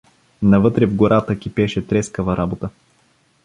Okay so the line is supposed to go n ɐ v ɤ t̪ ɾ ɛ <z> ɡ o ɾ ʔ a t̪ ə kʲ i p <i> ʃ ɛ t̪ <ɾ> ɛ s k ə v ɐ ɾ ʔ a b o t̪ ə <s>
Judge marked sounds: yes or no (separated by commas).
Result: no, no, yes, no